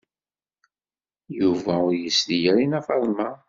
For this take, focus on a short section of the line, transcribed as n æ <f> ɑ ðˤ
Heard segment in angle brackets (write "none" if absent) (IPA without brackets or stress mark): f